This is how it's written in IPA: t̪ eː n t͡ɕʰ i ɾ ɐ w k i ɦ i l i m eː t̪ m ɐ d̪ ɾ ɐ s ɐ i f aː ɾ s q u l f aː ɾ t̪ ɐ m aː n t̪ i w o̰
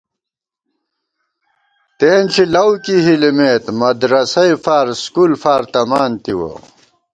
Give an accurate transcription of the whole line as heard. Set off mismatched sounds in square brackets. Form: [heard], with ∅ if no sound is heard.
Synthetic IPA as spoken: t̪ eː n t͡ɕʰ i [l] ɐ w k i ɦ i l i m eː t̪ m ɐ d̪ ɾ ɐ s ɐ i f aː ɾ s [k] u l f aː ɾ t̪ ɐ m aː n t̪ i w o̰

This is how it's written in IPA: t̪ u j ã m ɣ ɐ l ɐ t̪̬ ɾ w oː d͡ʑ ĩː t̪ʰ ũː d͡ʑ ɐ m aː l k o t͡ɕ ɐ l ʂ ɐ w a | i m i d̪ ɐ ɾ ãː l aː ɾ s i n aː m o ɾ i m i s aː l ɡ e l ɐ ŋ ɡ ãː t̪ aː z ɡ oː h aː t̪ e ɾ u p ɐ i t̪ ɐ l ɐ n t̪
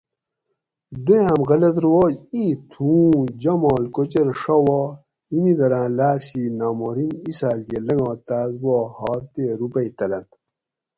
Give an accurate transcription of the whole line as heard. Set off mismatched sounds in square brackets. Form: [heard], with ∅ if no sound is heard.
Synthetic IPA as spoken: [d̪] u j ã m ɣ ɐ l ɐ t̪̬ ɾ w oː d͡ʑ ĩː t̪ʰ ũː d͡ʑ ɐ m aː l k o t͡ɕ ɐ [ɾ] ʂ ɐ w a | i m i d̪ ɐ ɾ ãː l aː ɾ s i n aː m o ɾ i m i s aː l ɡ e l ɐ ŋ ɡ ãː t̪ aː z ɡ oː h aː t̪ e ɾ u p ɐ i t̪ ɐ l ɐ n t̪

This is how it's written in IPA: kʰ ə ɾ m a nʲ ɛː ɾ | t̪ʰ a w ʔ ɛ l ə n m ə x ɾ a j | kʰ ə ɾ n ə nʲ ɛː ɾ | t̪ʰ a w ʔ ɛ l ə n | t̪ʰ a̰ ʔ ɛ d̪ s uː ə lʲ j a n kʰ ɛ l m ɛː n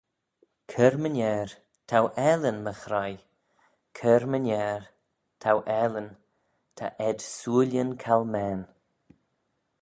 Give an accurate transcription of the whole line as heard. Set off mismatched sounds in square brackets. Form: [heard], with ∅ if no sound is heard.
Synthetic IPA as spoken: kʰ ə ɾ m [ə] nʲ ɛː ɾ | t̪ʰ a w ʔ ɛ l ə n m ə x ɾ a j | kʰ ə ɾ [m] ə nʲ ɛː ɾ | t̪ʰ a w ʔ ɛ l ə n | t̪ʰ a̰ ʔ ɛ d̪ s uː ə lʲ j [ə] n kʰ [a] l m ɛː n

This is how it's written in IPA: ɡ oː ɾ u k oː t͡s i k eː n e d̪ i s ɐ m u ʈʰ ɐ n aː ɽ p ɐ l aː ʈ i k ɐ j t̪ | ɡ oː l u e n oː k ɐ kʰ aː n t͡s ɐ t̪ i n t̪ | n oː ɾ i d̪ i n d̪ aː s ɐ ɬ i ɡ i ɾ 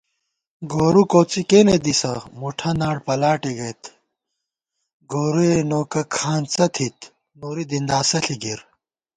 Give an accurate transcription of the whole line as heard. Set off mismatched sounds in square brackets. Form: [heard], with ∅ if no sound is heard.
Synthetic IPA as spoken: ɡ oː ɾ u k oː t͡s i k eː n e d̪ i s ɐ m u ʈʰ ɐ n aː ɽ p ɐ l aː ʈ i [ɡ] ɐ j t̪ | ɡ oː [ɾ] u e n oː k ɐ kʰ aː n t͡s ɐ [t̪ʰ] i [∅] t̪ | n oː ɾ i d̪ i n d̪ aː s ɐ ɬ i ɡ i ɾ

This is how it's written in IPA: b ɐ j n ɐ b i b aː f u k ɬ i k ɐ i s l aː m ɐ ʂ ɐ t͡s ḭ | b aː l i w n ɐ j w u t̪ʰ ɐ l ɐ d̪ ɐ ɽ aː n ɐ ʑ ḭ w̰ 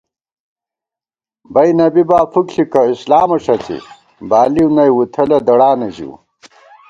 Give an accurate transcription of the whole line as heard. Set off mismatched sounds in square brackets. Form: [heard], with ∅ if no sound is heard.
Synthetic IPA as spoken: b ɐ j n ɐ b i b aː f u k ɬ i k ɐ i s l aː m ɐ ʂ ɐ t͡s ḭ | b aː l i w n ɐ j w u t̪ʰ ɐ l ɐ d̪ ɐ ɽ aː n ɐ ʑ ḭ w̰

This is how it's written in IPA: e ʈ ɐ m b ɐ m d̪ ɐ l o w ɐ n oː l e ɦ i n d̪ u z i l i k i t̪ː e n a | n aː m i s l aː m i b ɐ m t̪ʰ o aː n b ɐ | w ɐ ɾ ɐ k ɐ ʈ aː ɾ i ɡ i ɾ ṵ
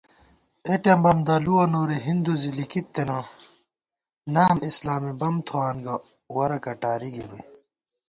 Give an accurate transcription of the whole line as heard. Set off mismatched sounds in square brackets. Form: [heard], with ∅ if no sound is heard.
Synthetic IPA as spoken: e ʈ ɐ m b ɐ m d̪ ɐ l [u] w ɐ n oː [ɾ] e ɦ i n d̪ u z i l i k i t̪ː e n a | n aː m i s l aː m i b ɐ m t̪ʰ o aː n [ɡ] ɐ | w ɐ ɾ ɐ k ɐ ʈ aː ɾ i ɡ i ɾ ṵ

